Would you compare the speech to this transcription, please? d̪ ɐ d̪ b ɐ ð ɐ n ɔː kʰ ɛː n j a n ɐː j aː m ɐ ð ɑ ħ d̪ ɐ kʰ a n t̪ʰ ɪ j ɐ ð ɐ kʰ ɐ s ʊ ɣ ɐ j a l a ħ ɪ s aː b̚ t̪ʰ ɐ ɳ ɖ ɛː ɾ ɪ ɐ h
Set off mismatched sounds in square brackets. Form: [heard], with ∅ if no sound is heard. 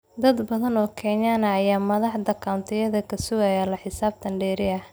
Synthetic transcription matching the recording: d̪ ɐ d̪ b ɐ ð ɐ n ɔː kʰ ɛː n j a n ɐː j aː m ɐ ð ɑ ħ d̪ ɐ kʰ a n t̪ʰ ɪ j ɐ ð ɐ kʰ ɐ s ʊ ɣ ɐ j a l [ɐ] ħ ɪ s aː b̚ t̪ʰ ɐ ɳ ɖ ɛː ɾ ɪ ɐ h